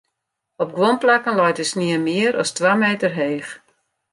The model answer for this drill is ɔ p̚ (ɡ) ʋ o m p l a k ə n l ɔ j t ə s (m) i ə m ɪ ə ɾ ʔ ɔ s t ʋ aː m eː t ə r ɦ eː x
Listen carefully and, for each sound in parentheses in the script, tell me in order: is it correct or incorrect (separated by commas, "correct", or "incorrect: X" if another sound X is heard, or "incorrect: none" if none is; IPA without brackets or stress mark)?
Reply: correct, incorrect: n